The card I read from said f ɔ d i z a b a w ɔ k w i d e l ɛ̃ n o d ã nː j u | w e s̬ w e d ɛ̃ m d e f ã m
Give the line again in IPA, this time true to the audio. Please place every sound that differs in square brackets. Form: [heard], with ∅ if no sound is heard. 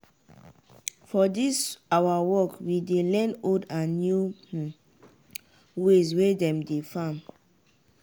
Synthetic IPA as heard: f ɔ d i [s] a [w] a w ɔ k w i d e l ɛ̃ n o d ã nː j u | w e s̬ w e d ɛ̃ m d e f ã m